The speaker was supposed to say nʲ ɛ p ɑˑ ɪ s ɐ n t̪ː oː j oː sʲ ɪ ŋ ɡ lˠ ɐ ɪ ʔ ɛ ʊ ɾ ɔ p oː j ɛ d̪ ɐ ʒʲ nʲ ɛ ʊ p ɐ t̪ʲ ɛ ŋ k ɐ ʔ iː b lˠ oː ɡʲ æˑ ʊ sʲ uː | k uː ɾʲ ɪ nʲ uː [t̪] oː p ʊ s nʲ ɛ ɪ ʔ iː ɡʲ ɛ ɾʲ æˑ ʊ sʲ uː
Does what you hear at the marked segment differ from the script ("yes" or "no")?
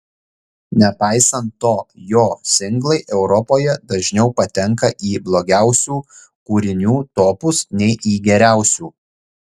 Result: no